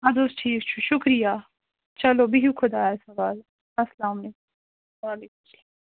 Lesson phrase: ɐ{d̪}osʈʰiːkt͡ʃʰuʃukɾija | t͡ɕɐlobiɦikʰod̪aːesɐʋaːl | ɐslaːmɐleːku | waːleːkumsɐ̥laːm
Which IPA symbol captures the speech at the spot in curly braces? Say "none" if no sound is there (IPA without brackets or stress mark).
d̪